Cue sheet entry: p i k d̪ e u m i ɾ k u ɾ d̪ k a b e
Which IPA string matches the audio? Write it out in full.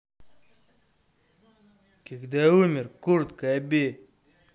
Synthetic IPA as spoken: k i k d̪ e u m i ɾ k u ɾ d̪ k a b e